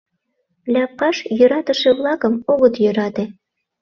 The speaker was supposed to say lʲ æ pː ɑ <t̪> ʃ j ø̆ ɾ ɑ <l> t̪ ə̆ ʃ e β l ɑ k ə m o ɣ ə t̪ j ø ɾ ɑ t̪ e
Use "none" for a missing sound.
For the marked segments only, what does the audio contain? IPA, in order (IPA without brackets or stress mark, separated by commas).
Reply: none, none